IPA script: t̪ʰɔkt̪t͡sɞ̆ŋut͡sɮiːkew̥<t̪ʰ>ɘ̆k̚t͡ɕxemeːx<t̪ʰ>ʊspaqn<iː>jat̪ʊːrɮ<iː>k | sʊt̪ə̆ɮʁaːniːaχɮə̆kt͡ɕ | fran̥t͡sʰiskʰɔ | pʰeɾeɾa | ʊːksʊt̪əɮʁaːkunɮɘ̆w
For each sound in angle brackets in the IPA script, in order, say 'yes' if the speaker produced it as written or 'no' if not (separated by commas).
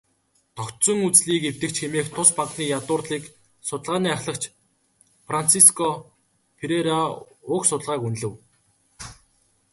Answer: no, yes, yes, yes